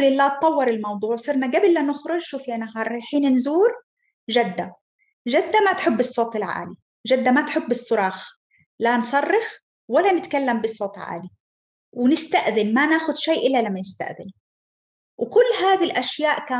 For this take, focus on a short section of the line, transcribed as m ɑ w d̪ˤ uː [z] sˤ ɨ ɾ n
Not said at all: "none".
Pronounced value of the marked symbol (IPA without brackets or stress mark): ʕ